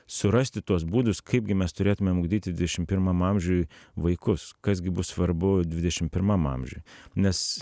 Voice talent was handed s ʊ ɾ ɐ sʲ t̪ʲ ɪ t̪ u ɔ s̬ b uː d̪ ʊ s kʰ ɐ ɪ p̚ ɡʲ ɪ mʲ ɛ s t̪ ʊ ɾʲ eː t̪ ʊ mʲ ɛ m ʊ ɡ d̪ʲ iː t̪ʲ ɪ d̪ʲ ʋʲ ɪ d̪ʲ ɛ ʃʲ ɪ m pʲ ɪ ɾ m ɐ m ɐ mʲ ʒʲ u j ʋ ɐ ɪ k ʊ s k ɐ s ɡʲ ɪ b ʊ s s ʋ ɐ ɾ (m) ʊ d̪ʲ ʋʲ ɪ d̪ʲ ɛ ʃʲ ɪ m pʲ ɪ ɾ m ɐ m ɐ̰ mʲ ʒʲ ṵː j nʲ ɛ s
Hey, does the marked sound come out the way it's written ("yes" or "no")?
no